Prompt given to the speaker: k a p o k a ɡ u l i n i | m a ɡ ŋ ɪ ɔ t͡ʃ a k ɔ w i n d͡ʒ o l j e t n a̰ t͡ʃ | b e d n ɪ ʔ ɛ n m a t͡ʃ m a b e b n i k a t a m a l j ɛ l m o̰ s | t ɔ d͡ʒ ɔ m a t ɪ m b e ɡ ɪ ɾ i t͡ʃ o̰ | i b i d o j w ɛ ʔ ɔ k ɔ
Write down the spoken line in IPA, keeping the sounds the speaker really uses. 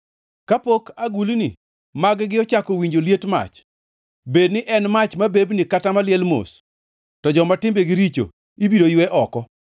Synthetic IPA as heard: k a p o k a ɡ u l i n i | m a ɡ ɡ ɪ ɔ t͡ʃ a k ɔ w i ɲ d͡ʒ o l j e t m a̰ t͡ʃ | b e d n ɪ ʔ ɛ n m a t͡ʃ m a b e b n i k a t a m a l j ɛ l m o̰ s | t ɔ d͡ʒ ɔ m a t ɪ m b e ɡ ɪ ɾ i t͡ʃ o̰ | i b i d o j w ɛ ʔ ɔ k ɔ